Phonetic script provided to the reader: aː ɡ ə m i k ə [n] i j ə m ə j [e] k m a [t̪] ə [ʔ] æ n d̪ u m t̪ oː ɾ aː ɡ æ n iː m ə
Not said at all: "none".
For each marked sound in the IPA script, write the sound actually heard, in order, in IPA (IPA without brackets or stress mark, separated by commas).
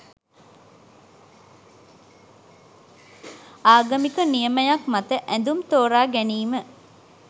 n, a, t̪, ʔ